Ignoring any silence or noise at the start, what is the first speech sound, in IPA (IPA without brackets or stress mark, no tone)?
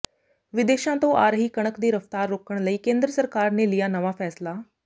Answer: ʋ